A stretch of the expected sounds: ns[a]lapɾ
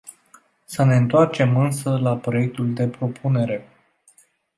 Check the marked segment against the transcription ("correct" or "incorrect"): incorrect